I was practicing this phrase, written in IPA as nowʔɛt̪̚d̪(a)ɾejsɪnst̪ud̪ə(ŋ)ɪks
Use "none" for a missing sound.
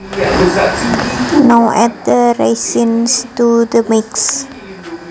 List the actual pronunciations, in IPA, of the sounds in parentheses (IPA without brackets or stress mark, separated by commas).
ə, m